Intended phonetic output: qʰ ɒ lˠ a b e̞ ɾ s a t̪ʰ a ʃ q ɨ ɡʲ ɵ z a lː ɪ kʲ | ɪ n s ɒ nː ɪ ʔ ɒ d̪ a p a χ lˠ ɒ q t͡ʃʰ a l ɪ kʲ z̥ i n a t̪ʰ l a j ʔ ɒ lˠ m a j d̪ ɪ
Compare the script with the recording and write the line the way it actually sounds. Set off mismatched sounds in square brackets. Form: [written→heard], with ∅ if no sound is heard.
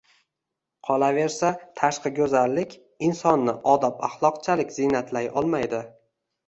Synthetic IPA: qʰ ɒ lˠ a [b→v] e̞ ɾ s a t̪ʰ a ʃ q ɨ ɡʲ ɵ z a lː ɪ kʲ | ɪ n s ɒ nː ɪ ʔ ɒ d̪ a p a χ lˠ ɒ q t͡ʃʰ a l ɪ kʲ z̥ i n a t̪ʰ l a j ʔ ɒ lˠ m a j d̪ ɪ